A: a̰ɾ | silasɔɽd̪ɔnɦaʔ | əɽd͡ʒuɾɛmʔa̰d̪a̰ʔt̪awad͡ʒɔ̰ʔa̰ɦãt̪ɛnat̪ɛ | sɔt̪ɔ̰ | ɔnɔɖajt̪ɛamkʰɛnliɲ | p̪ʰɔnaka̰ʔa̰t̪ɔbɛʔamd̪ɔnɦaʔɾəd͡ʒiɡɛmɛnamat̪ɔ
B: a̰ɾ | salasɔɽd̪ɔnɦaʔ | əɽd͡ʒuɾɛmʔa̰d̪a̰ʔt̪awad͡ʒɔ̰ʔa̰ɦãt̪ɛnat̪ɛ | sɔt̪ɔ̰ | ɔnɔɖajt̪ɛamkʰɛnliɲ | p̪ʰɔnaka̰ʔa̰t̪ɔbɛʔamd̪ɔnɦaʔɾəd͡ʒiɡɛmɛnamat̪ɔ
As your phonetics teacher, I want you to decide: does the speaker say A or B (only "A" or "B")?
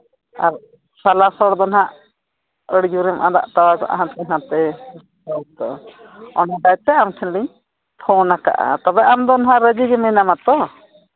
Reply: B